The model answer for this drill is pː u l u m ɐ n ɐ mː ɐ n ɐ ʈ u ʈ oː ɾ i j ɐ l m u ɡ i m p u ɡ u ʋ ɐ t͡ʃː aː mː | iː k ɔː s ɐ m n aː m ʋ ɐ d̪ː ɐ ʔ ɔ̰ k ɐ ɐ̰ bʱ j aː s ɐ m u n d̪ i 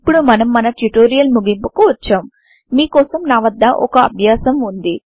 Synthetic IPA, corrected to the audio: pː u ɽ u m ɐ n ɐ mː ɐ n ɐ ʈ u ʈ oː ɾ i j ɐ l m u ɡ i m p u k u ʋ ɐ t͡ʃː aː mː | iː k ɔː s ɐ m n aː ʋ ɐ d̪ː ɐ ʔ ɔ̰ k ɐ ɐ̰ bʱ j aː s ɐ m u n d̪ i

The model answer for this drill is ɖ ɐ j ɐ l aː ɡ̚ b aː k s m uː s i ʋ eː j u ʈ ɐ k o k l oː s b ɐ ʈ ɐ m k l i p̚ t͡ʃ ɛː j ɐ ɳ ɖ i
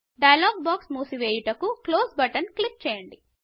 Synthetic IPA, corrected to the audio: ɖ ɐ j ɐ l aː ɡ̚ b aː k s m uː s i ʋ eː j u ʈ ɐ k u k l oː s b ɐ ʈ ɐ n k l i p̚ t͡ʃ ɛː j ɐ ɳ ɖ i

